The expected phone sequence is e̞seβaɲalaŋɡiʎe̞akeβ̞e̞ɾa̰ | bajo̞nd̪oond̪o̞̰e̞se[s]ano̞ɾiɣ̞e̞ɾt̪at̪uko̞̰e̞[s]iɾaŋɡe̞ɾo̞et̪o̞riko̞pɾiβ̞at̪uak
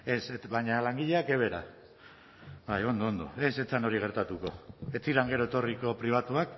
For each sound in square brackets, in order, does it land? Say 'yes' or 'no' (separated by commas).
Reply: no, no